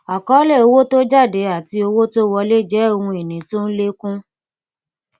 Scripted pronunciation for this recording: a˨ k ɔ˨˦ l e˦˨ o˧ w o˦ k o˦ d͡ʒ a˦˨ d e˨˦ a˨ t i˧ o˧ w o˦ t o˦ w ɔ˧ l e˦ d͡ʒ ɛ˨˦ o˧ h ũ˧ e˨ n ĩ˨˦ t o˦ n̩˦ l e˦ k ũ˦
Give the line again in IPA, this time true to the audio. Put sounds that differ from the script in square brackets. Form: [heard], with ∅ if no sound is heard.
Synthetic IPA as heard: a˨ k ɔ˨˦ l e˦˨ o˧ w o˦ [t] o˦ d͡ʒ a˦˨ d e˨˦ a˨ t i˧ o˧ w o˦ t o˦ w ɔ˧ l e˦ d͡ʒ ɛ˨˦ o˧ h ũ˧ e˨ n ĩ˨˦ t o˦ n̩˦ l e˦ k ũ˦